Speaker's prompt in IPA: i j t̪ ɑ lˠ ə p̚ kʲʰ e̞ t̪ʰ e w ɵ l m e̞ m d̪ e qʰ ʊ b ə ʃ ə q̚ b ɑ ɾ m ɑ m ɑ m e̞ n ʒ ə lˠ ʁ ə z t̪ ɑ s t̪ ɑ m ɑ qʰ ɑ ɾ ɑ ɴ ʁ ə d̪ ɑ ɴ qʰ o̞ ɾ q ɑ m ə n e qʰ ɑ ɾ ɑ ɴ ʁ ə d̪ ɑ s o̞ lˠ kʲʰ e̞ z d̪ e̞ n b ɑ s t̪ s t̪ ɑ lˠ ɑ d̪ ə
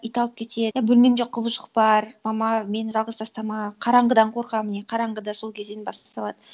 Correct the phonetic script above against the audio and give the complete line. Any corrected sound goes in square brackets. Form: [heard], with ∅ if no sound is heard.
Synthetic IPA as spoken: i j t̪ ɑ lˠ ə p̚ kʲʰ e̞ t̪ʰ e [b] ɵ l m e̞ m d̪ e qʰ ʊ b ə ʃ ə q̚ b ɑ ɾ m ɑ m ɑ m e̞ n ʒ [ɑ] lˠ ʁ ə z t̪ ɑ s t̪ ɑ m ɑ qʰ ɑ ɾ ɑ ɴ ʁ ə d̪ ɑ ɴ qʰ o̞ ɾ q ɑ m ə n e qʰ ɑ ɾ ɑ ɴ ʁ ə d̪ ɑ s o̞ lˠ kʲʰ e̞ z d̪ e̞ n b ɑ s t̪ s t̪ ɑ lˠ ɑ d̪ ə

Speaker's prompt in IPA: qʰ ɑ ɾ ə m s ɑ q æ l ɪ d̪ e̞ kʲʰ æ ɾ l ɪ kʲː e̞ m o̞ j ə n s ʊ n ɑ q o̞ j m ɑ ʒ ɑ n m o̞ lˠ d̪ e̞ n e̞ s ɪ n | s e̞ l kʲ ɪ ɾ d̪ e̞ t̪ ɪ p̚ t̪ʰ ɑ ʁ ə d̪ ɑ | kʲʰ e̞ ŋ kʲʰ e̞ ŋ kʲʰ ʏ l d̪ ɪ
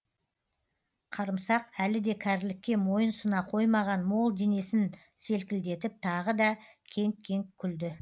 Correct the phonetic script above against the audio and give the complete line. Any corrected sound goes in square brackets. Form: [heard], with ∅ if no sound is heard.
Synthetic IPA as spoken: qʰ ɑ ɾ ə m s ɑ q æ l ɪ d̪ e̞ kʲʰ æ ɾ l ɪ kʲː e̞ m o̞ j ə n s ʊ n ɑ [qʰ] o̞ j m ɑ [ʁ] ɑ n m o̞ lˠ d̪ e̞ n e̞ s ɪ n | s e̞ l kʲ ɪ [l] d̪ e̞ t̪ ɪ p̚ t̪ʰ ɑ ʁ ə d̪ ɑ | kʲʰ e̞ ŋ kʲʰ e̞ ŋ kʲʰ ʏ l d̪ ɪ

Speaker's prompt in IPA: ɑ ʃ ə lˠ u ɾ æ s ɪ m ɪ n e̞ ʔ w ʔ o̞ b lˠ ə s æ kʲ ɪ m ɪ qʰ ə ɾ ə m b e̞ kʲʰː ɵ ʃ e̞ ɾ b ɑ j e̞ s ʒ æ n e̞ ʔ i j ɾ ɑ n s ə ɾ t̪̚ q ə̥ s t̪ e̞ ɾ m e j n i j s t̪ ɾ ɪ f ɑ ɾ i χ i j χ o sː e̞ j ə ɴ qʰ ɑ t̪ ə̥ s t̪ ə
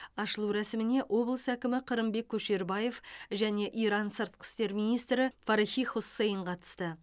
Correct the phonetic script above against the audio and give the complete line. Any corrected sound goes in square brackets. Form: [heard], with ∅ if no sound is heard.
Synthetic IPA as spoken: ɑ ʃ ə lˠ u ɾ æ s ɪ m ɪ n e̞ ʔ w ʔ o̞ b lˠ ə s æ kʲ ɪ m ɪ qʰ ə ɾ ə m b e̞ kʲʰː ɵ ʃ e̞ ɾ b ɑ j e̞ [f] ʒ æ n e̞ ʔ i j ɾ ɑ n s ə ɾ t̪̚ q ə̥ s t̪ e̞ ɾ m [i] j n i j s t̪ ɾ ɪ f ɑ ɾ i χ i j χ o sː e̞ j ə ɴ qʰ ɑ t̪ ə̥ s t̪ ə

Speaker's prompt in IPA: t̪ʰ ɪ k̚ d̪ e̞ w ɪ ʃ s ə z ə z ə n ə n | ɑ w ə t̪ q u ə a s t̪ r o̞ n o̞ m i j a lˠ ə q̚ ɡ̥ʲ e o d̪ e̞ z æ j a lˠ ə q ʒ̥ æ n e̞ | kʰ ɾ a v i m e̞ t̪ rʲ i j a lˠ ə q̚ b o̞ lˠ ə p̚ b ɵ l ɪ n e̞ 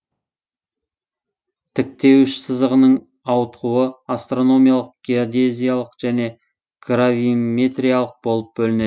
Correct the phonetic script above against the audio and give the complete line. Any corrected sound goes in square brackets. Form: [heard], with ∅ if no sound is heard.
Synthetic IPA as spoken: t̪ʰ ɪ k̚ [t̪] e̞ w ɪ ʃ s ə z ə [ʁ] ə n ə [ɴ] | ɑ w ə t̪ q u ə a s t̪ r o̞ n o̞ m i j a lˠ ə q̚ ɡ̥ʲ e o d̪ e̞ z [i] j a lˠ ə q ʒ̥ æ n e̞ | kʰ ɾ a v i m e̞ t̪ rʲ i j a lˠ ə q̚ b o̞ lˠ ə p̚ b ɵ l ɪ n e̞

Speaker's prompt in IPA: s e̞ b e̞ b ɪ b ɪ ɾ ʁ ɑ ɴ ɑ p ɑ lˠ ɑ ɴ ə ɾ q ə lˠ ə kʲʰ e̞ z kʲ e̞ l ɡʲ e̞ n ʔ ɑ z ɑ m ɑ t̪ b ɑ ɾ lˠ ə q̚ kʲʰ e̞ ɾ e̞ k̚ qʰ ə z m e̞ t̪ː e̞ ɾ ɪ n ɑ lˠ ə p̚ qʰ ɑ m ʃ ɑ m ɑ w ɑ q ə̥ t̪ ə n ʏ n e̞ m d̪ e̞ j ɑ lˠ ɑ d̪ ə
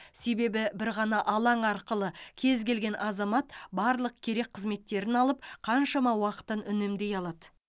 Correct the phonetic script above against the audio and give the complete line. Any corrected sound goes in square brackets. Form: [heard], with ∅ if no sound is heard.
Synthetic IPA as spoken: s e̞ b e̞ b ɪ b ɪ ɾ ʁ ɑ [n] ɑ [ʔ] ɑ lˠ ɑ ɴ [ɑ] ɾ q ə lˠ ə kʲʰ e̞ z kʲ e̞ l ɡʲ e̞ n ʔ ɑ z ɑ m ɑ t̪ b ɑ ɾ lˠ ə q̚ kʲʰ e̞ ɾ e̞ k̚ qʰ ə z m e̞ t̪ː e̞ ɾ ɪ n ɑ lˠ ə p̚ qʰ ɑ [n] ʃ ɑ m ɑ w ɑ q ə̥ t̪ ə n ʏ n e̞ m d̪ e̞ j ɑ lˠ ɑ d̪ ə

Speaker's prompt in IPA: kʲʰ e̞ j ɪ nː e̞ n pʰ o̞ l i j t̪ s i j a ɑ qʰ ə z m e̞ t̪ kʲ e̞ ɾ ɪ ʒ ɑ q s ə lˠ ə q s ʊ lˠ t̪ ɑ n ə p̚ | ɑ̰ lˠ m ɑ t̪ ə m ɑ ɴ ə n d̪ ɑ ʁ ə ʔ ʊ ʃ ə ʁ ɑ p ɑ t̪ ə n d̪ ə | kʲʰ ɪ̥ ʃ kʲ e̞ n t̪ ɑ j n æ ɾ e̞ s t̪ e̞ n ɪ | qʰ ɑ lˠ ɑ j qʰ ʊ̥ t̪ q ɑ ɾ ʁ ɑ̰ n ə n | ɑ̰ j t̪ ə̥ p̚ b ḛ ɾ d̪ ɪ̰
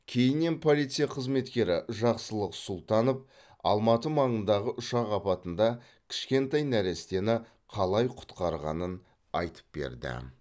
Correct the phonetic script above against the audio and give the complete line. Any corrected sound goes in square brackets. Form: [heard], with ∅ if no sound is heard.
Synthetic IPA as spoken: kʲʰ e̞ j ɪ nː e̞ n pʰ o̞ l i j t̪ s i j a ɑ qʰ ə z m e̞ t̪ kʲ e̞ ɾ ɪ ʒ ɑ q s ə lˠ ə q s ʊ lˠ t̪ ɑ n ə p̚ | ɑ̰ lˠ m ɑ t̪ ə m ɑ ɴ ə n d̪ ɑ ʁ ə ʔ ʊ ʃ [ɑ] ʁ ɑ p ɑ t̪ ə n d̪ [ɑ] | kʲʰ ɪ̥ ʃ kʲ e̞ n t̪ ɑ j n æ ɾ e̞ s t̪ e̞ n ɪ | qʰ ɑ lˠ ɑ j qʰ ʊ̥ t̪ q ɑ ɾ ʁ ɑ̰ n ə n | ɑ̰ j t̪ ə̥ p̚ b ḛ ɾ d̪ ɪ̰

